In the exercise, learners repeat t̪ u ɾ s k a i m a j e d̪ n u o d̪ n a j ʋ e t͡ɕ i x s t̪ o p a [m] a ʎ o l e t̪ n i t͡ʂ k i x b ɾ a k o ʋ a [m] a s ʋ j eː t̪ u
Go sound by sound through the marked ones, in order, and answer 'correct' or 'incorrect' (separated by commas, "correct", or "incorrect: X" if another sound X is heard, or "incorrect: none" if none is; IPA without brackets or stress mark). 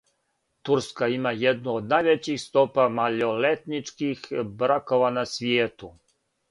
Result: correct, incorrect: n